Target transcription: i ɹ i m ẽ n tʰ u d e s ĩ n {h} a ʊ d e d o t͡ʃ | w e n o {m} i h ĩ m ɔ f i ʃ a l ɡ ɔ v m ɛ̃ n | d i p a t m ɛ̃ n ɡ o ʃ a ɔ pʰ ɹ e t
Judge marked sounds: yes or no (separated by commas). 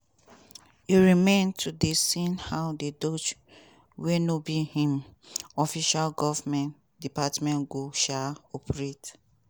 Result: yes, no